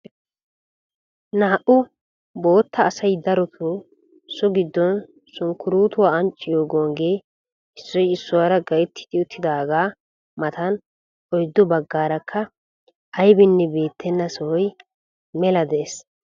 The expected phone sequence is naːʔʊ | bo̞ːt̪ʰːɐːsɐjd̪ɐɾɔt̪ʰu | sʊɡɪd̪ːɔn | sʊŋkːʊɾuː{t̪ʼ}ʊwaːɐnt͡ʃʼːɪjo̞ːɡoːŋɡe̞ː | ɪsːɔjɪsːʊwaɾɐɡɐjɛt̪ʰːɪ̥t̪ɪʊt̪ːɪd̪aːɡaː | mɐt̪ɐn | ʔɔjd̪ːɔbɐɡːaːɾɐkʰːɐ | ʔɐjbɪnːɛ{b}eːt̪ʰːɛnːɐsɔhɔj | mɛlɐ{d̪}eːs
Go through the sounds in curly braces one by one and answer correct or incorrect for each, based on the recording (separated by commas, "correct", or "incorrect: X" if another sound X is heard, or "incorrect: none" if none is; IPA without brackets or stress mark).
incorrect: t̪, correct, correct